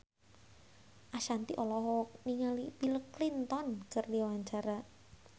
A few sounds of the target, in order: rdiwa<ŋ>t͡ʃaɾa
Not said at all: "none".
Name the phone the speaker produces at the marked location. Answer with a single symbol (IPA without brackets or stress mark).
ɲ